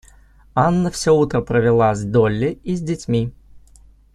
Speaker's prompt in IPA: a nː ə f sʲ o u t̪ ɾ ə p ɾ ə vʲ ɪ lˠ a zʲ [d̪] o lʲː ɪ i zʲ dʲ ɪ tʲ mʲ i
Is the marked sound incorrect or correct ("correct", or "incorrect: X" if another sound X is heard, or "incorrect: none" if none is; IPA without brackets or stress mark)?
correct